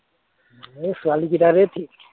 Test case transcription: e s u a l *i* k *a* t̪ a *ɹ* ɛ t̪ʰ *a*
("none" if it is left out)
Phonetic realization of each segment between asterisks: i, i, ɾ, i

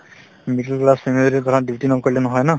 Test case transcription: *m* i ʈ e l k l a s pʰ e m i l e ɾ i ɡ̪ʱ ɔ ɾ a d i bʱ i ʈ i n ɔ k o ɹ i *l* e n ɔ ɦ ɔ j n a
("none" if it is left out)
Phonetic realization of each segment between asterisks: m, l

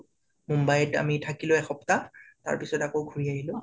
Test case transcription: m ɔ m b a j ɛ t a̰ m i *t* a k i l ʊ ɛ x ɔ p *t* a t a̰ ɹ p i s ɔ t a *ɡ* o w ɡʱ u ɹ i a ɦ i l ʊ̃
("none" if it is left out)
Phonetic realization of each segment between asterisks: tʰ, t, k

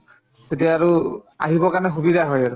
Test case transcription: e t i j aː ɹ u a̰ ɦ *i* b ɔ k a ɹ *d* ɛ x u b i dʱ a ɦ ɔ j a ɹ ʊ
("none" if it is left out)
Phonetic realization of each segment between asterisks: i, n

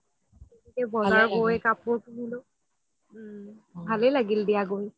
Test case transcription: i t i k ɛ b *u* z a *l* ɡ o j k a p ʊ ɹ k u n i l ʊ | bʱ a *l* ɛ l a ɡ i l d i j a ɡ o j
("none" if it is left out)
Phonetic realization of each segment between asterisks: ɔ, ɹ, l

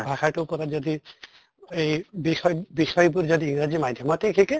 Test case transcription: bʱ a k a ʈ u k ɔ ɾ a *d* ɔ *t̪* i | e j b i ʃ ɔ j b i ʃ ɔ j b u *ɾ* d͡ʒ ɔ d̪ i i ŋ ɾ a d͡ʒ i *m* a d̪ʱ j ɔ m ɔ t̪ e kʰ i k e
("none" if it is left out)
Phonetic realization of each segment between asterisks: d͡ʒ, d̪, ɾ, m

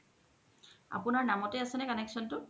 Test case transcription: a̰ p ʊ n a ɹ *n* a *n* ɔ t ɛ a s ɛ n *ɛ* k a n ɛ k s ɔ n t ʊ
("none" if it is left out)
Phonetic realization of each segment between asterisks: n, m, ɛ

